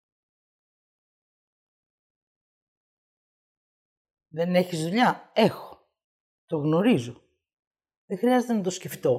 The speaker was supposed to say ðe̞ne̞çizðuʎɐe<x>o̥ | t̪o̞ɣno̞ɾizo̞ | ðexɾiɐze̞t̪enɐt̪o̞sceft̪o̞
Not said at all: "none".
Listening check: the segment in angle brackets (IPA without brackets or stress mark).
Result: x